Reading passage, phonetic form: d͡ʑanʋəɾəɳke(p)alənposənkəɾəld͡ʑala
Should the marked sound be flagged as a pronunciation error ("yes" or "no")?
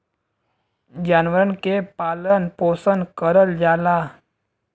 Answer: no